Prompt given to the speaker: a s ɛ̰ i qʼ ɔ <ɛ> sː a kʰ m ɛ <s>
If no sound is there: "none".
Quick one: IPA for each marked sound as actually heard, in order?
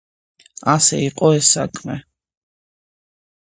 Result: ɛ, none

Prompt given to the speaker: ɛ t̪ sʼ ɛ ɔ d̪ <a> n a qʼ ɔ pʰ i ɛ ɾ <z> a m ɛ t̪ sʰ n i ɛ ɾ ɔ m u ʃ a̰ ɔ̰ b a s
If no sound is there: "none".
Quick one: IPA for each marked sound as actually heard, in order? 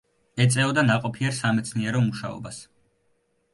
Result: a, s

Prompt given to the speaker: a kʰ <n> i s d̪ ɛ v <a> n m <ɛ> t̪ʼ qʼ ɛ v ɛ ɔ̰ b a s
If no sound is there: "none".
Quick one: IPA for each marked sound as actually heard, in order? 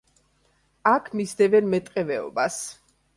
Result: m, ɛ, ɛ

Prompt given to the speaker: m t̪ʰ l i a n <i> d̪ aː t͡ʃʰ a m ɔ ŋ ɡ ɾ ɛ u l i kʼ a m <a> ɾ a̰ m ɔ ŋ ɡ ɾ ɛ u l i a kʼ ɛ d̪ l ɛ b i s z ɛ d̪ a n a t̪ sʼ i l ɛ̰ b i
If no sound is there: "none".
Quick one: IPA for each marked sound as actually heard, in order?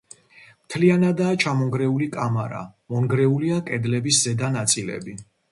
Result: a, a

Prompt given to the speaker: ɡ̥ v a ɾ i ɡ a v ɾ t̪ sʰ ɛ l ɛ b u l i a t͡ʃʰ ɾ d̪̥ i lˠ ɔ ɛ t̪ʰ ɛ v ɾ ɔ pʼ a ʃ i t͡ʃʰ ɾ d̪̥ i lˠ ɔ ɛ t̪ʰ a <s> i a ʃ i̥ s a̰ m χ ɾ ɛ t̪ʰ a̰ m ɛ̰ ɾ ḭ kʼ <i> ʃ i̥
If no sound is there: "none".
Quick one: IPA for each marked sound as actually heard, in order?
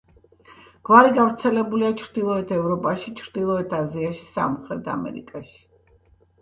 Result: z, a

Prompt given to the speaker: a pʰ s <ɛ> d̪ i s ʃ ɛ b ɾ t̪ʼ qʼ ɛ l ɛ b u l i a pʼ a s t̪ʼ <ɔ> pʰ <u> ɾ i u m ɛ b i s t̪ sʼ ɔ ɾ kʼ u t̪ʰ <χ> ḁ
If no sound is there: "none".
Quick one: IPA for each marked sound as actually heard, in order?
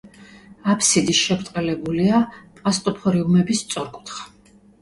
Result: i, ɔ, ɔ, χ

